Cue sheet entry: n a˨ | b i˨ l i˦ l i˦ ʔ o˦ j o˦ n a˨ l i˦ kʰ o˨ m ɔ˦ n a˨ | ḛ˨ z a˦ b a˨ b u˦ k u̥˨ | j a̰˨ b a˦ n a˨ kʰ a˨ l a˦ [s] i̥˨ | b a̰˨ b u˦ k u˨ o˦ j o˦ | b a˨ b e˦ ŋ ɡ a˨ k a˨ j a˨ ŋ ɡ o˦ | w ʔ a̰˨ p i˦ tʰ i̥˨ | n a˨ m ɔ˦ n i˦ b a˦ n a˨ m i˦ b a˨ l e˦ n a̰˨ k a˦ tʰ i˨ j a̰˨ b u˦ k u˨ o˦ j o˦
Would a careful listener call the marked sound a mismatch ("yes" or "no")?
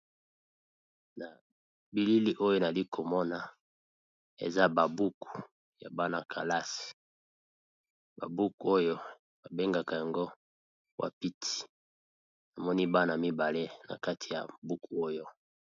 no